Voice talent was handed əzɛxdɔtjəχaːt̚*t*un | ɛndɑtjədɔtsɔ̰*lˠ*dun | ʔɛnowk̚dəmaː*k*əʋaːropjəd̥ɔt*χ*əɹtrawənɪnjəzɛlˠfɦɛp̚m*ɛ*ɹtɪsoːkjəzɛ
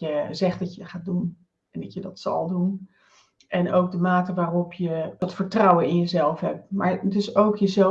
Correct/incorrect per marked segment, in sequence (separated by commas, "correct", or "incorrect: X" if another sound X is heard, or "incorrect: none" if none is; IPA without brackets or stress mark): incorrect: d, correct, incorrect: t, incorrect: f, incorrect: a